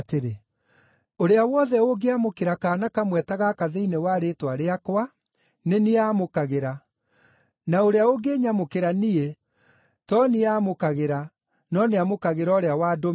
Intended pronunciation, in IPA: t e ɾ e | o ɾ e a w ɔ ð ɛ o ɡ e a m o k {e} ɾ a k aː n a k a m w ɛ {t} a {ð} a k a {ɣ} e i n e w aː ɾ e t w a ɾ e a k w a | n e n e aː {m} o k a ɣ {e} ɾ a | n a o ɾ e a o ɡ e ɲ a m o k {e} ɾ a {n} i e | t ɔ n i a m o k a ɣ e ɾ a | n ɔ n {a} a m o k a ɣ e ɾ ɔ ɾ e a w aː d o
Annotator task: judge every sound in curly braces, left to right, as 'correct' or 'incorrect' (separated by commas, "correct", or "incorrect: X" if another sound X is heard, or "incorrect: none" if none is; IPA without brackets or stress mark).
correct, correct, incorrect: ɣ, incorrect: ð, correct, correct, correct, correct, incorrect: e